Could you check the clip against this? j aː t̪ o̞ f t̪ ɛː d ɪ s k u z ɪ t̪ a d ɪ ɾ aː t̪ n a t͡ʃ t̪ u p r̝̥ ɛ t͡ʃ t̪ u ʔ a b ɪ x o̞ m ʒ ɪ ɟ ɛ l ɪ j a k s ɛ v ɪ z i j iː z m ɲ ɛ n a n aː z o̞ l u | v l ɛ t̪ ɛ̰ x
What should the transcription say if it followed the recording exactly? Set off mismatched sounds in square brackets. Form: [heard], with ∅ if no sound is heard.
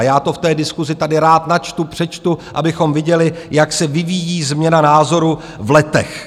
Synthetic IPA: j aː t̪ o̞ f t̪ ɛː d ɪ s k u z ɪ t̪ a d ɪ ɾ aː t̪ n a t͡ʃ t̪ u p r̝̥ ɛ t͡ʃ t̪ u ʔ a b ɪ x o̞ m [v] ɪ ɟ ɛ l ɪ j a k s ɛ v ɪ [v] i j iː z m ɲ ɛ n a n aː z o̞ [ɾ] u | v l ɛ t̪ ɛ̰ x